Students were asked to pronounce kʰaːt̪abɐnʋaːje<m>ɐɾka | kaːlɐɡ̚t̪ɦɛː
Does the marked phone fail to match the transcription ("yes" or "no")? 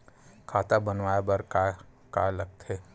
yes